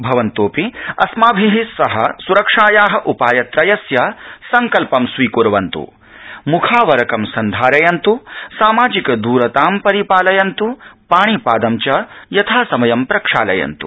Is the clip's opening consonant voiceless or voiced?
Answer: voiced